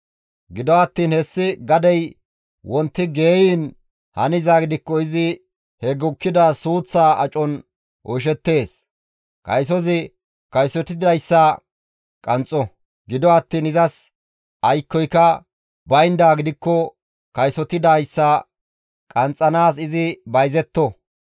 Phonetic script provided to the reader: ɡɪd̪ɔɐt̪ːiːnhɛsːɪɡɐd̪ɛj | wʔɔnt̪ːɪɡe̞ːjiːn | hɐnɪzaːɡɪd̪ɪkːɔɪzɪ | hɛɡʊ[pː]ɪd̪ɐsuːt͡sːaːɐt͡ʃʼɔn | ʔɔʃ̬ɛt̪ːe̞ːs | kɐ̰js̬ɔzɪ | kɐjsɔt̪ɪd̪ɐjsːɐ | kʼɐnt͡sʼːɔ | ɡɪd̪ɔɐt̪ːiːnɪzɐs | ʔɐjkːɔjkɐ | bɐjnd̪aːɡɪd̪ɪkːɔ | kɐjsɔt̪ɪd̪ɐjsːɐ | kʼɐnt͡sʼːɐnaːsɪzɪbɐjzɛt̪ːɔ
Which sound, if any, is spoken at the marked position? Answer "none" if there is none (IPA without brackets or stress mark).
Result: kː